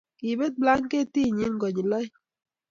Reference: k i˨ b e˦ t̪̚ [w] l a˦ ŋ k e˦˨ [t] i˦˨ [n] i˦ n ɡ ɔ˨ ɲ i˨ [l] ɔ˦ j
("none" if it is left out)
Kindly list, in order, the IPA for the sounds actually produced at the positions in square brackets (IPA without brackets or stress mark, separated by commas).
b, t, ɲ, l